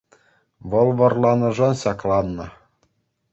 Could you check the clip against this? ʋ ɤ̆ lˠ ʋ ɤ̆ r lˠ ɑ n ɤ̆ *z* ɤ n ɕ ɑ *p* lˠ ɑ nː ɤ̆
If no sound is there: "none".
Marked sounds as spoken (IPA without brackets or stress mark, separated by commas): ʐ, k